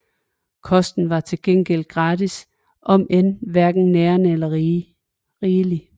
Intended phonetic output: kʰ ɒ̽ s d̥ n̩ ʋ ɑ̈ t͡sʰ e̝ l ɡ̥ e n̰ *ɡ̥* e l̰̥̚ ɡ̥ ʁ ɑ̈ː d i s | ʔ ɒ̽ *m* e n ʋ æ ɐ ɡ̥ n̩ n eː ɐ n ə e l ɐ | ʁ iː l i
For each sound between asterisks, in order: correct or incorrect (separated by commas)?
correct, correct